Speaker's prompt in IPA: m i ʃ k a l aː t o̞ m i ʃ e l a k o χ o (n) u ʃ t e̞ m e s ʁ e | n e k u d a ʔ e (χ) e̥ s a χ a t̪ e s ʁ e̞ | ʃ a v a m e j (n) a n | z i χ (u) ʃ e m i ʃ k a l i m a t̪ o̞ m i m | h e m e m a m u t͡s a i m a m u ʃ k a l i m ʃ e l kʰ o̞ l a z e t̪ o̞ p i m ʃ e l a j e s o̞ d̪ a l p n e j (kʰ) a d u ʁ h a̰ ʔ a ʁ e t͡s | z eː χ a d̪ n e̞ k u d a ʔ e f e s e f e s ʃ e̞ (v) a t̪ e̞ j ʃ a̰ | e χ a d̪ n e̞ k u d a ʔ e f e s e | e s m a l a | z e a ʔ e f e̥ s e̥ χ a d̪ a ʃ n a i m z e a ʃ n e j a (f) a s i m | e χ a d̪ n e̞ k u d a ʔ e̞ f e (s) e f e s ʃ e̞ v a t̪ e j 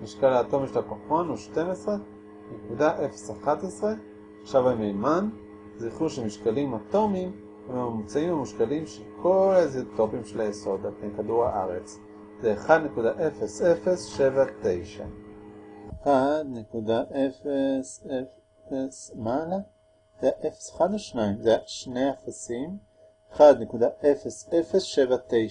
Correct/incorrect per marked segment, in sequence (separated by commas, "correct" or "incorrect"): correct, incorrect, incorrect, correct, incorrect, correct, correct, correct